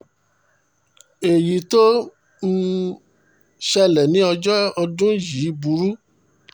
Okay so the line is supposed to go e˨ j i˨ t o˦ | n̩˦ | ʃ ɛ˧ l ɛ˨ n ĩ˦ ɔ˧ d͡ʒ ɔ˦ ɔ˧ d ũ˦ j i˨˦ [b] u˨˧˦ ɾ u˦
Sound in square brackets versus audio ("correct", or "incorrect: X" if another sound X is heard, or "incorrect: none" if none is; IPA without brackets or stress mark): correct